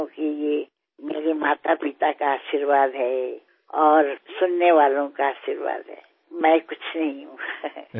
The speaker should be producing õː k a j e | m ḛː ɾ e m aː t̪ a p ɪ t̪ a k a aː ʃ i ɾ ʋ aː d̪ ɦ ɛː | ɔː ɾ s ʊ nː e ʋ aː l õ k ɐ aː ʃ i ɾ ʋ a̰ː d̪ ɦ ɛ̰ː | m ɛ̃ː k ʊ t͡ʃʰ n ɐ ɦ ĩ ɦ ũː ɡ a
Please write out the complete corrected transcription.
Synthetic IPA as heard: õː k i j e | m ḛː ɾ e m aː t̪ a p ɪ t̪ a k a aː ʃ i ɾ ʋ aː d̪ ɦ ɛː | ɔː ɾ s ʊ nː e ʋ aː l õ k a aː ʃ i ɾ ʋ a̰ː d̪ ɦ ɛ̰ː | m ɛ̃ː k ʊ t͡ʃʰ n ɐ ɦ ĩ ɦ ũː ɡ a

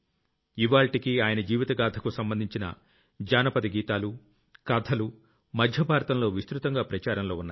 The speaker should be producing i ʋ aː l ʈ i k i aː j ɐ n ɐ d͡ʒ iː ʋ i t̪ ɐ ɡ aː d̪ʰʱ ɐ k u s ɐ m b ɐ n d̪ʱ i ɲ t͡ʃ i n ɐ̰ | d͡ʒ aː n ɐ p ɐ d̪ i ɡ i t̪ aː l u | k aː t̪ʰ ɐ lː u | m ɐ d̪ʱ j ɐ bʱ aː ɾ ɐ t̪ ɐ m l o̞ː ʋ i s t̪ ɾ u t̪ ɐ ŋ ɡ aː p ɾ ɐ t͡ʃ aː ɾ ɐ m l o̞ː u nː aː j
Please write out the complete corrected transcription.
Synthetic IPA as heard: i ʋ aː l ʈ i k i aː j ɐ n ɐ d͡ʒ iː ʋ i t̪ ɐ ɡ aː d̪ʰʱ ɐ k u s ɐ m b ɐ n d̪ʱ i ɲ t͡ʃ i n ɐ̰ | d͡ʒ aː n ɐ p ɐ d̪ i ɡ iː t̪ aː l u | k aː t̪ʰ ɐ l u | m ɐ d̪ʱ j ɐ bʱ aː ɾ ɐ t̪ ɐ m l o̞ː ʋ i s t̪ ɾ u t̪ ɐ ŋ ɡ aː p ɾ ɐ t͡ʃ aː ɾ ɐ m l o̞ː u nː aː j

